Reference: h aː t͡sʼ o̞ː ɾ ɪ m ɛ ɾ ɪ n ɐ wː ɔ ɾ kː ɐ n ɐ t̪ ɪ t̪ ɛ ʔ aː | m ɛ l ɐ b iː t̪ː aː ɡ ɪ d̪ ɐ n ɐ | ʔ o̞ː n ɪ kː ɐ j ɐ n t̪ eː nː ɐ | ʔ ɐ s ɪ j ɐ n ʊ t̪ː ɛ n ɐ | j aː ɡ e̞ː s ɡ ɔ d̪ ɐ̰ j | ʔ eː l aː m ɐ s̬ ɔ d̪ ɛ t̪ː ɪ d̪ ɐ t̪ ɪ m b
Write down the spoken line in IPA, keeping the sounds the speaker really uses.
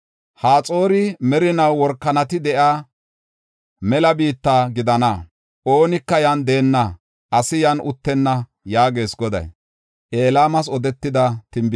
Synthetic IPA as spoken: h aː t͡sʼ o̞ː ɾ ɪ m ɛ ɾ ɪ n ɐ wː ɔ ɾ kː ɐ n ɐ t̪ ɪ d̪ ɛ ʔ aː | m ɛ l ɐ b iː t̪ː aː ɡ ɪ d̪ ɐ n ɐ | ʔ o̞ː n ɪ kː ɐ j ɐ n d̪ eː nː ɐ | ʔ ɐ s ɪ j ɐ n ʊ t̪ː ɛ nː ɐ | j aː ɡ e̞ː s ɡ ɔ d̪ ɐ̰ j | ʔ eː l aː m ɐ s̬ ɔ d̪ ɛ t̪ː ɪ d̪ ɐ t̪ ɪ m b